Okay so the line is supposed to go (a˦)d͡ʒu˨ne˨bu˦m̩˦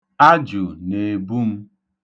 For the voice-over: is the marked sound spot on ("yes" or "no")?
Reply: yes